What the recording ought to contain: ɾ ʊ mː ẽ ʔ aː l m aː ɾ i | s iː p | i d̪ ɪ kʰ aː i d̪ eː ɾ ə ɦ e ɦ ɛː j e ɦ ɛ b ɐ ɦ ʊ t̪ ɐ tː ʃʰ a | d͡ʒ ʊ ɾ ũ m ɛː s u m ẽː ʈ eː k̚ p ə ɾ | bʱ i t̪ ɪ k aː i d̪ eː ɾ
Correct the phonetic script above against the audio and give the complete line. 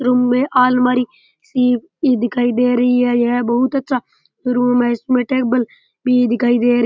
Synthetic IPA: ɾ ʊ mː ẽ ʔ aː l m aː ɾ i | s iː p | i d̪ ɪ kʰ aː i d̪ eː ɾ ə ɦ i ɦ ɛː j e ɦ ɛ b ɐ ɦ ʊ t̪ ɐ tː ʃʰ a | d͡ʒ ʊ ɾ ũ m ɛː s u m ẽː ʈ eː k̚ b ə l | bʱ i d̪ ɪ k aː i d̪ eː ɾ